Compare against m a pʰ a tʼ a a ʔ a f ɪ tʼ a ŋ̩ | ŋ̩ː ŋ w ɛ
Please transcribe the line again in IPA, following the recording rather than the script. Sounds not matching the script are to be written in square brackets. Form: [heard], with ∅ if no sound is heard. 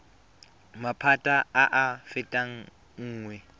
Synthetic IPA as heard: m a pʰ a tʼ a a ʔ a f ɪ tʼ a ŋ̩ | ŋ̩ː ŋ w ɛ